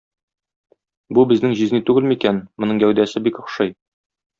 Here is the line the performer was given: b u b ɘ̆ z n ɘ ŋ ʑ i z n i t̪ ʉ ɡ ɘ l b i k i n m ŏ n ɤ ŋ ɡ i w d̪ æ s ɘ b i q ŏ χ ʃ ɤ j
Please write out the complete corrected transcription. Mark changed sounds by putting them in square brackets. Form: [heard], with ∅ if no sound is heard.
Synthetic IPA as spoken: b u b ɘ̆ z n ɘ ŋ ʑ i z n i t̪ ʉ ɡ ɘ l [m] i k [æ] n m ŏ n ɤ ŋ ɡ [æ] w d̪ æ s ɘ b i [k] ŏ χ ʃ ɤ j